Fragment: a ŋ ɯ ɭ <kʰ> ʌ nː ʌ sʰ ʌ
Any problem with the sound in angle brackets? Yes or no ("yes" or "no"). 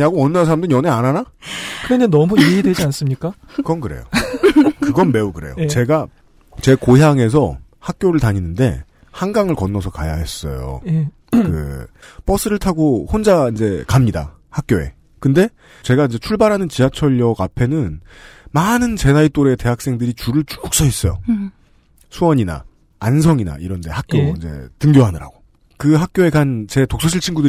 yes